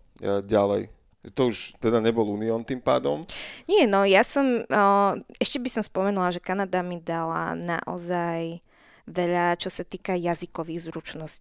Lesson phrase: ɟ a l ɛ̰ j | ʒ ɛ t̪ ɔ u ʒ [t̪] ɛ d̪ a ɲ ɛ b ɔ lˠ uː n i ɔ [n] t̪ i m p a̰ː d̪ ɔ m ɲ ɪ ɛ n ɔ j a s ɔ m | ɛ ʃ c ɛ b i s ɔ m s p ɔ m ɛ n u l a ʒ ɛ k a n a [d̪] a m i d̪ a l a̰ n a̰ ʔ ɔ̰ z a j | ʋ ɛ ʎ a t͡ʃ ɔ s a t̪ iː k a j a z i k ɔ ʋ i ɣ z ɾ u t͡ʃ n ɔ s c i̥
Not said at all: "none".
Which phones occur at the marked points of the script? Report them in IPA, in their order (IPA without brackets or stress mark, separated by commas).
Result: t̪, n, d̪